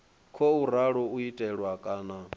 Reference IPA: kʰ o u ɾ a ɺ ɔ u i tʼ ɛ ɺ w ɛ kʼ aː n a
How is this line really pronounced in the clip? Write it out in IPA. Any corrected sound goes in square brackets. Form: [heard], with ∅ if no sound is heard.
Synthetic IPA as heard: kʰ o u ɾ a ɺ ɔ u i tʼ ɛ ɺ w [a] kʼ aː n a